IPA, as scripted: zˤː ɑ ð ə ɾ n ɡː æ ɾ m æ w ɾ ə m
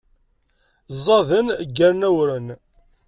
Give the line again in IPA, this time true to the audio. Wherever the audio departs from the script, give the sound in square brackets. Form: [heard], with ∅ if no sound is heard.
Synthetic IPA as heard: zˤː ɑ ð ə [∅] n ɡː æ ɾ [n] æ w ɾ ə [n]